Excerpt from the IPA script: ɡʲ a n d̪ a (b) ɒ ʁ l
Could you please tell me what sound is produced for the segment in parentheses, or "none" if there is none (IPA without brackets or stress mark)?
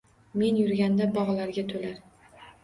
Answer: b